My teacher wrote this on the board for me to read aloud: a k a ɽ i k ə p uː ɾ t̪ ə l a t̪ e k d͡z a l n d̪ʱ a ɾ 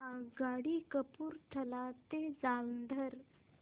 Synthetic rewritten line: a ɡ a ɽ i k ə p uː ɾ t̪ʰ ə l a t̪ e d͡z a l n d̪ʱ ə ɾ